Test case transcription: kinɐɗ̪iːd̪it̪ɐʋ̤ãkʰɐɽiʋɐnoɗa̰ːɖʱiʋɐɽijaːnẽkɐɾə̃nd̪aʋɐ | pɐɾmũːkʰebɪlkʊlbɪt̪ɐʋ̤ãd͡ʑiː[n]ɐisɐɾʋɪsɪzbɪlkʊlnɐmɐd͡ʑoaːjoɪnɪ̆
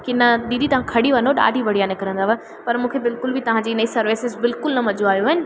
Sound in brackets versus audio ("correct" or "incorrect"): correct